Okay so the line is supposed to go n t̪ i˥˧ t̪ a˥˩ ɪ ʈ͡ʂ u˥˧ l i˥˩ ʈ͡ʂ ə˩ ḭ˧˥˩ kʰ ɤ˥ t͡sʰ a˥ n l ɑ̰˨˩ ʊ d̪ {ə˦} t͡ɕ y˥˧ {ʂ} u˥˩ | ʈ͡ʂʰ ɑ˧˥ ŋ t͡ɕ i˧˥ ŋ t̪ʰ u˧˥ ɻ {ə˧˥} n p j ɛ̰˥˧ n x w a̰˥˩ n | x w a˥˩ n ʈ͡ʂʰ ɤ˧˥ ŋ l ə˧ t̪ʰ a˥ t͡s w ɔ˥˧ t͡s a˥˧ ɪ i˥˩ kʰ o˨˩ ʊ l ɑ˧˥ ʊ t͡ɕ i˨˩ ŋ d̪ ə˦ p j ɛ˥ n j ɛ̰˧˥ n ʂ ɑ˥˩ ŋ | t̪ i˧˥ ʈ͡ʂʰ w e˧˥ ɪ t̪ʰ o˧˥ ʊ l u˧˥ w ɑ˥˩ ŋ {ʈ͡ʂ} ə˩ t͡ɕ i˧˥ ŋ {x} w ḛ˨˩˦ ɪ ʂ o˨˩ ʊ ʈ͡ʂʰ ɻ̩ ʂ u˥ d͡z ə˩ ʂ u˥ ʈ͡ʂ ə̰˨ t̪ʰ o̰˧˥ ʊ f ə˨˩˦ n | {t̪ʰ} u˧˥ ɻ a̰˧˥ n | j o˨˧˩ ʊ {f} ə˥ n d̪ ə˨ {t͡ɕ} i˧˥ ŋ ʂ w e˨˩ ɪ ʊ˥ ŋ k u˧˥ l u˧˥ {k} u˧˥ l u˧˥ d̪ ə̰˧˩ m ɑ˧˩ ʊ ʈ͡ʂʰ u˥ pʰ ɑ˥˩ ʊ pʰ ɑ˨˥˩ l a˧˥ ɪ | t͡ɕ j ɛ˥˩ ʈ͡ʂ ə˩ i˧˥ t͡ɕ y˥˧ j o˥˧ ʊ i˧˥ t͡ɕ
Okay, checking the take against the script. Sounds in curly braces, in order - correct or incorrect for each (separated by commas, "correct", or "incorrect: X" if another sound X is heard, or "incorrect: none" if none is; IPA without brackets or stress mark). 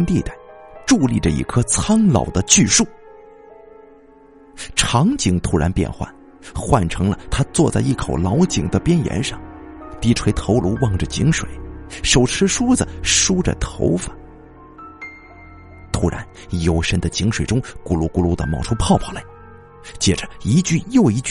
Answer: correct, correct, incorrect: a˧˥, correct, incorrect: ʂ, correct, incorrect: ʂ, correct, correct